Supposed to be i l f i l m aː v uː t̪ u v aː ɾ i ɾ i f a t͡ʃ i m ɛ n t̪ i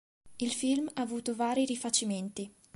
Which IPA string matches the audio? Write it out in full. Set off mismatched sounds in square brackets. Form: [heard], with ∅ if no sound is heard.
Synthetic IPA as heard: i l f i l m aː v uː t̪ [o] v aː ɾ i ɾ i f a t͡ʃ i m [e] n t̪ i